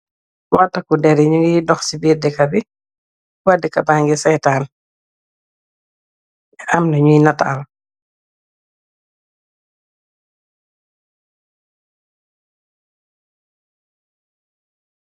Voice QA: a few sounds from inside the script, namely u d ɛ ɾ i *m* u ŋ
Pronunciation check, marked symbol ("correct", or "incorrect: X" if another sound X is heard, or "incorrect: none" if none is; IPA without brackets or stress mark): incorrect: ɲ